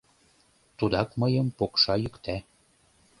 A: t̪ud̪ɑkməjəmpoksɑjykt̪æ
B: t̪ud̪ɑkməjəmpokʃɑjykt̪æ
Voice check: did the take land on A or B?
B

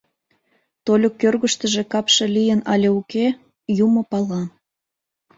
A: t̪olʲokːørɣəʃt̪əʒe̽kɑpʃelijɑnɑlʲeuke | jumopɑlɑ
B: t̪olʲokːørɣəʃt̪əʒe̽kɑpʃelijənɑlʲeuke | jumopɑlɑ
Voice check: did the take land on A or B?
B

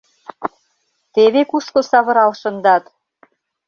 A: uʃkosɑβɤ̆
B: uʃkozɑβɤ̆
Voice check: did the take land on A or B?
A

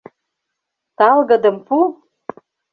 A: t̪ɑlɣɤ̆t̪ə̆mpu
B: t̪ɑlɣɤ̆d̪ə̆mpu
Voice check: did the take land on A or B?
B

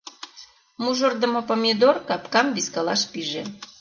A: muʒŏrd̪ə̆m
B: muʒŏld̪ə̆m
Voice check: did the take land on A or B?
A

